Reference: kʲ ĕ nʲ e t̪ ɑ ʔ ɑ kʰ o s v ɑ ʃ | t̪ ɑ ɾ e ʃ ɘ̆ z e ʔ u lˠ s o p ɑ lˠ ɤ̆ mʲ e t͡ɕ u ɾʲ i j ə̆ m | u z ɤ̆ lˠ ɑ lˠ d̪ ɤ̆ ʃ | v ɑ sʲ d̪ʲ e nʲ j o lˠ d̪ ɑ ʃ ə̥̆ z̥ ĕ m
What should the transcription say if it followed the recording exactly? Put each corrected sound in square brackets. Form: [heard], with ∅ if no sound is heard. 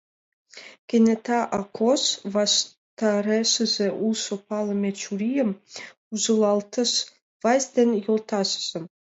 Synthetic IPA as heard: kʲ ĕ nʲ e t̪ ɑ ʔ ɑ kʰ o s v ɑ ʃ | t̪ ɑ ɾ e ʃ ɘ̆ z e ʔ u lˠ s o p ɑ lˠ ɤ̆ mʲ e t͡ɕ u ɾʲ i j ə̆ m | u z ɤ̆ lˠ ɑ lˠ [t̪] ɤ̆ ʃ | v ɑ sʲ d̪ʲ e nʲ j o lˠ [t̪] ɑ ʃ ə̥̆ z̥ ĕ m

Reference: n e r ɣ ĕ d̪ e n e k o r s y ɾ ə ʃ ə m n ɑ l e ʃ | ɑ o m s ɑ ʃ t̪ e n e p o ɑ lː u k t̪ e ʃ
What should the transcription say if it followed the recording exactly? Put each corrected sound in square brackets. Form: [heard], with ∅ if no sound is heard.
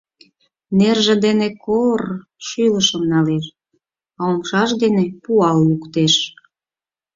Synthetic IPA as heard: n e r [ʒ] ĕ d̪ e n e k o r [ʃ] y [l] ə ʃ ə m n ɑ l e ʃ | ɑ o m [ʃ] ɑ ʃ [d̪] e n e p [u] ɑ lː u k t̪ e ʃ

